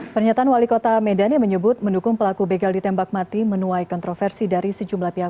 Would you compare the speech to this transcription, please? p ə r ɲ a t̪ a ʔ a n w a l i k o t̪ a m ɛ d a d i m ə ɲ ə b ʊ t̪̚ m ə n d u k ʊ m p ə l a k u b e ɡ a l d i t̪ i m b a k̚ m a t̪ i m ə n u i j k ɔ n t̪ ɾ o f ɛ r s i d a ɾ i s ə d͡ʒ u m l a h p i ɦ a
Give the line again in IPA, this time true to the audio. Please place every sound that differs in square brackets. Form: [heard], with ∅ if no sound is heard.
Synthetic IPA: p ə r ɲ a t̪ a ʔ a n w a l i k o t̪ a m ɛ d a [n] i m ə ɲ ə b ʊ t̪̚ m ə n d u k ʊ [ŋ] p ə l a k u b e ɡ a l d i t̪ [ɛ] m b a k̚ m a t̪ i m ə n u [a] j k ɔ n t̪ ɾ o f ɛ r s i d a ɾ i s ə d͡ʒ u m l a h p i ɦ a